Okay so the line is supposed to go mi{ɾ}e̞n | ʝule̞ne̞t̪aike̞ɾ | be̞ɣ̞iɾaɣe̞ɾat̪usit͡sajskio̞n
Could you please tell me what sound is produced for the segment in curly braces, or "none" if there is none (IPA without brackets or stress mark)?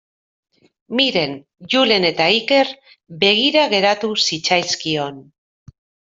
ɾ